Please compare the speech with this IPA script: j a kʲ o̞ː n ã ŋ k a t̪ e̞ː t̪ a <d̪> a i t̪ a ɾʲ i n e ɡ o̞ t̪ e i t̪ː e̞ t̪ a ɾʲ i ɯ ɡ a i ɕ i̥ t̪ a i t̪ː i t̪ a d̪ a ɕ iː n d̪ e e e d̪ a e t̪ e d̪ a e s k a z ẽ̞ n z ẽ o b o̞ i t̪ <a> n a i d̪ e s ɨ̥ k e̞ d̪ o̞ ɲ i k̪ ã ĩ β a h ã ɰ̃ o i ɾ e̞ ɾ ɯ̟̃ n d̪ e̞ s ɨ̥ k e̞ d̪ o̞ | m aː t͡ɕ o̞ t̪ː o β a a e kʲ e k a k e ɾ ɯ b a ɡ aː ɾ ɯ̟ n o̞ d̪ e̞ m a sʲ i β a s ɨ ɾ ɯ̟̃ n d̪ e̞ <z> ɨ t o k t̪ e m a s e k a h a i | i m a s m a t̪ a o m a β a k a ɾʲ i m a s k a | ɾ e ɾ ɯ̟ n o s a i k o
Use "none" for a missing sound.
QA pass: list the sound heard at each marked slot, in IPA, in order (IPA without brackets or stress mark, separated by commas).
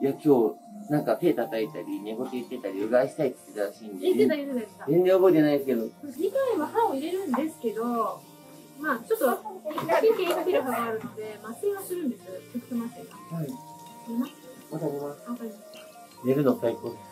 t̪, e, s